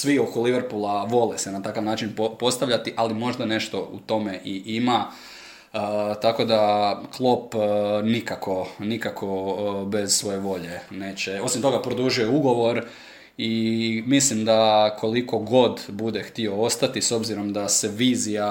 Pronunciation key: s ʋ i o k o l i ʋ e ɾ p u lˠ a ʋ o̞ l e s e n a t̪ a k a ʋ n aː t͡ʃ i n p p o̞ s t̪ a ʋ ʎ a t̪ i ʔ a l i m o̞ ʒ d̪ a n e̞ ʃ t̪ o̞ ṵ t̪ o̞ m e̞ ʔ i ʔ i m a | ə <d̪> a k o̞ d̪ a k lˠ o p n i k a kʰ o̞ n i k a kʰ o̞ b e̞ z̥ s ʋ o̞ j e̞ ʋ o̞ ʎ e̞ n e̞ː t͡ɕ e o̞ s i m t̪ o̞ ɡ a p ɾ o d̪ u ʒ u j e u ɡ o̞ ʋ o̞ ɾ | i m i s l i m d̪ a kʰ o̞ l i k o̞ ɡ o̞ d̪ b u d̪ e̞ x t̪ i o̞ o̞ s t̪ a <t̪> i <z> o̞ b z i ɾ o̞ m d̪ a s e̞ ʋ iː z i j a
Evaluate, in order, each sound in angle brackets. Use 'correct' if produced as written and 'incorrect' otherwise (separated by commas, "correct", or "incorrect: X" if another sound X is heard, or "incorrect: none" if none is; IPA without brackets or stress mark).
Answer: incorrect: t̪, correct, incorrect: s